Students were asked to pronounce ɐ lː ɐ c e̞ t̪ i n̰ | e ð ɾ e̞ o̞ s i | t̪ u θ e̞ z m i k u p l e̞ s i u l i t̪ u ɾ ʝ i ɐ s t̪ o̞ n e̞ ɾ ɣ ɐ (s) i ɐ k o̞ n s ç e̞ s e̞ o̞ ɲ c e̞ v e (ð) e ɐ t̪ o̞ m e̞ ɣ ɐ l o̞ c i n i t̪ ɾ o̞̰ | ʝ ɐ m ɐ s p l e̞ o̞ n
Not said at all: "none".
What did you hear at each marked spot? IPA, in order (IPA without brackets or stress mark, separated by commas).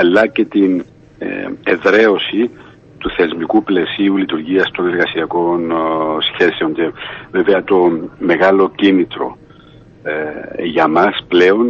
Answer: s, v